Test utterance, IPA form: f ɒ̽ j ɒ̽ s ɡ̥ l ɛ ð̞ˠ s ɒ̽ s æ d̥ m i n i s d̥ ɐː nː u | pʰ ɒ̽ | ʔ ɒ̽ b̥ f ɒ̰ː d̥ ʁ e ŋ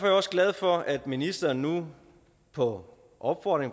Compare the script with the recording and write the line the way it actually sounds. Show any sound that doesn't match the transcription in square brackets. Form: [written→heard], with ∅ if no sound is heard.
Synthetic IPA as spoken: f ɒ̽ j ɒ̽ s ɡ̥ l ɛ ð̞ˠ [s→f] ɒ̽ [s→∅] æ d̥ m i n i s d̥ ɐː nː u | pʰ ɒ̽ | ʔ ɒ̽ b̥ f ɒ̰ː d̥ ʁ e ŋ